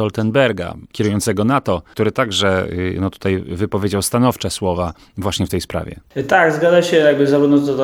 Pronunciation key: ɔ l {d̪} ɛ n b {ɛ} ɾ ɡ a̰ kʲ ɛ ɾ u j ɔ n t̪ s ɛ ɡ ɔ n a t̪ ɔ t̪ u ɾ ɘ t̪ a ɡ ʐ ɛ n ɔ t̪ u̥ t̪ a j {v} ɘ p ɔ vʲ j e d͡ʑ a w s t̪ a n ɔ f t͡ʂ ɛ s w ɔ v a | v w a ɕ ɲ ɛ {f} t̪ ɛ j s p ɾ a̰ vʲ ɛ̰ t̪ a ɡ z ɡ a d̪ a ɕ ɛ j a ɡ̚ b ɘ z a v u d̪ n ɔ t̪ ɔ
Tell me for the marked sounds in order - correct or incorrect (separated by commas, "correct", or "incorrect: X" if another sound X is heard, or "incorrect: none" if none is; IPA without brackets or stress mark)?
incorrect: t̪, correct, correct, correct